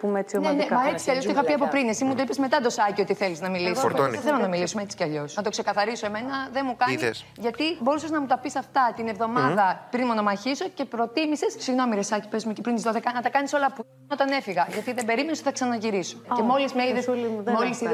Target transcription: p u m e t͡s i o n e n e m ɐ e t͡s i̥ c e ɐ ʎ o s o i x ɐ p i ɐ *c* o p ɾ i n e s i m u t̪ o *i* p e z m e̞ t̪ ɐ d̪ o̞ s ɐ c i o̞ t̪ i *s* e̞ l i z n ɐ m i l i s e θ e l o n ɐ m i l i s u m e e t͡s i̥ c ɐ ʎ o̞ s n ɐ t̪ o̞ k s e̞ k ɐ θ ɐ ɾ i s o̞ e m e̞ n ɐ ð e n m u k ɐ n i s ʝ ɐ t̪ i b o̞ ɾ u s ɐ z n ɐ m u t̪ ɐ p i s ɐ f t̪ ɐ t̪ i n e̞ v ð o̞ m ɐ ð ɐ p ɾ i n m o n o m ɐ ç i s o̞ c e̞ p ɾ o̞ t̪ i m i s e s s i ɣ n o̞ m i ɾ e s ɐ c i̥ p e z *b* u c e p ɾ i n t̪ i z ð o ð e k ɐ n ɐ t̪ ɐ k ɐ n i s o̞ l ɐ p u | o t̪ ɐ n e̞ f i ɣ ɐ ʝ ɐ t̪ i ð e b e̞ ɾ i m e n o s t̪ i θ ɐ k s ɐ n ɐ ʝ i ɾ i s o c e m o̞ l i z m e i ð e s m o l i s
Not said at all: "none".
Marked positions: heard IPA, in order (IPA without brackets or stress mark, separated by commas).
p, i, θ, m